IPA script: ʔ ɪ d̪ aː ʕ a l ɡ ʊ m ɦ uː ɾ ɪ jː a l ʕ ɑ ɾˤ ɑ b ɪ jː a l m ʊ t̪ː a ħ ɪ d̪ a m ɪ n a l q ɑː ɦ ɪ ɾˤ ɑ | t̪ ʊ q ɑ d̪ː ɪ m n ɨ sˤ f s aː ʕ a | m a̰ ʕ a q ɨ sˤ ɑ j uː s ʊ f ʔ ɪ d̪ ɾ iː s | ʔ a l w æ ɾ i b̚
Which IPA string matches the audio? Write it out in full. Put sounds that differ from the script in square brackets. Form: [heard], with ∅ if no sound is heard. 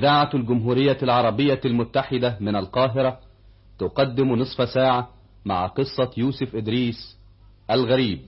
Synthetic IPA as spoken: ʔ ɪ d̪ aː ʕ a l ɡ ʊ m ɦ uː ɾ ɪ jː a l ʕ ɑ ɾˤ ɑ b ɪ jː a l m ʊ t̪ː a ħ ɪ d̪ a m ɪ n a l q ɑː ɦ ɪ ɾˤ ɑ | t̪ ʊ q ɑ d̪ː ɪ m n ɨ sˤ f s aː ʕ a | m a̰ ʕ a q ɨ [sˤː] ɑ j uː s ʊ f ʔ ɪ d̪ ɾ iː s | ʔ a l [ɣ] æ ɾ [iː] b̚